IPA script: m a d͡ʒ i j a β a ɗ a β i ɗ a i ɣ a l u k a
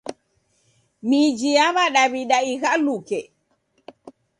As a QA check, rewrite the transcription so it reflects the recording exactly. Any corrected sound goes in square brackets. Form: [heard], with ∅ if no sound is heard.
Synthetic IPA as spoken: m [i] d͡ʒ i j a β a ɗ a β i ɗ a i ɣ a l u k [ɛ]